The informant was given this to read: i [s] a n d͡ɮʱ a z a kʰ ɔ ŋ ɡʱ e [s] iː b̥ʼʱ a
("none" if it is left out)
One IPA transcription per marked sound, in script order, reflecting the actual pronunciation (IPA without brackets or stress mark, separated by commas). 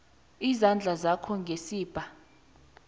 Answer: z, s